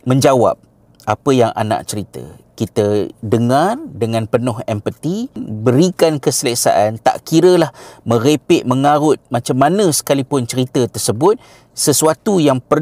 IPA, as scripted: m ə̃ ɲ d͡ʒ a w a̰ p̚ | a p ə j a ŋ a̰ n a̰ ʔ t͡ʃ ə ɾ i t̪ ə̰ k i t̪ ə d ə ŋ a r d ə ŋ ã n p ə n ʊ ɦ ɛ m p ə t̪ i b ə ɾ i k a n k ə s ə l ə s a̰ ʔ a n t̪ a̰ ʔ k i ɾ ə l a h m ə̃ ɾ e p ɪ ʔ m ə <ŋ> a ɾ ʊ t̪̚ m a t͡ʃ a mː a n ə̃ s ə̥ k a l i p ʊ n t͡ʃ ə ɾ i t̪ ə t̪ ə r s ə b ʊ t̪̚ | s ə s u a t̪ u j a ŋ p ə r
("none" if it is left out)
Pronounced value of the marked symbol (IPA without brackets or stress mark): ŋ